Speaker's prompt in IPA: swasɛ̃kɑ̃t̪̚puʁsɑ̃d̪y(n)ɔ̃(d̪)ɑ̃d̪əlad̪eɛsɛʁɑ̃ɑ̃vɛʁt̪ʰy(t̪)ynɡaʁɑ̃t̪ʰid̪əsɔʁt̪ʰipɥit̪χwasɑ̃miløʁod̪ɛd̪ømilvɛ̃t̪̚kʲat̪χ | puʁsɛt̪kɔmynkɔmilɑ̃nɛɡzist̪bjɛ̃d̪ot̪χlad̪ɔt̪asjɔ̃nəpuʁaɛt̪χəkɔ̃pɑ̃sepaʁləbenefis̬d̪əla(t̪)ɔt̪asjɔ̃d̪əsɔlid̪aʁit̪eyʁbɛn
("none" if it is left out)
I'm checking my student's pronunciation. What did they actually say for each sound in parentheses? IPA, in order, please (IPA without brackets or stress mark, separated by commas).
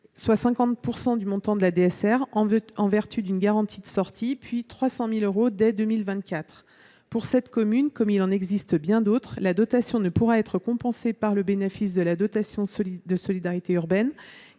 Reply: m, t̪, d̪, d̪